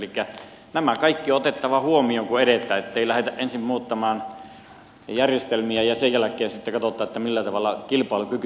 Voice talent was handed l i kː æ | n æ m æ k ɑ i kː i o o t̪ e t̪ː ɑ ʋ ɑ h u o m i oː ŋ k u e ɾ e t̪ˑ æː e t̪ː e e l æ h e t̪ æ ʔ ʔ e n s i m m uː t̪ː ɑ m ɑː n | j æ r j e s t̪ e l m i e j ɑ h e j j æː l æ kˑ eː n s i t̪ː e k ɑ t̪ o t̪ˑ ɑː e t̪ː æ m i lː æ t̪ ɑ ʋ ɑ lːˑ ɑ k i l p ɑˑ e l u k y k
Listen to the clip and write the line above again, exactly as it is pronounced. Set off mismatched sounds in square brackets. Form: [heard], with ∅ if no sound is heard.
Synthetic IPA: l i kː æ | n æ m æ k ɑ i kː i o o t̪ e t̪ː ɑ ʋ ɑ h u o m i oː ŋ k u e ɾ e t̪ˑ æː e t̪ː e [i] l æ h e t̪ æ ʔ ʔ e n s i m m uː t̪ː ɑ m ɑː n | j æ r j e s t̪ e l m i [æ] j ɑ [s] e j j [æ] l æ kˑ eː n s i t̪ː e k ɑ t̪ o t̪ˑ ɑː e t̪ː æ m i lː æ t̪ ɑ ʋ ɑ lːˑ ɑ k i l p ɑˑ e l u k y k